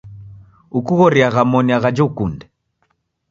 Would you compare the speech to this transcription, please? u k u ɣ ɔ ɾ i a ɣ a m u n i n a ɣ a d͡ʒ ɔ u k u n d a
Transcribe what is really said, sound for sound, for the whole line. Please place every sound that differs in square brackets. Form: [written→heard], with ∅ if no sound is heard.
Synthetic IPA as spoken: u k u ɣ ɔ ɾ i a ɣ a m [u→ɔ] n i [n→∅] a ɣ a d͡ʒ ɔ u k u n d [a→ɛ]